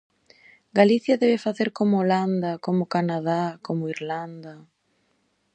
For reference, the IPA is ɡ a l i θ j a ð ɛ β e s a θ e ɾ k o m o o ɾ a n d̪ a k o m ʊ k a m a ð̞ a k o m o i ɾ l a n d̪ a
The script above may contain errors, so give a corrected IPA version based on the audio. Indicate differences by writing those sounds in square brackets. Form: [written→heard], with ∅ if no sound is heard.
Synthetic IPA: ɡ a l i θ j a ð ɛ β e [s→f] a θ e ɾ k o m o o [ɾ→l] a n d̪ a k o m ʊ k a [m→n] a ð̞ a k o m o i ɾ l a n d̪ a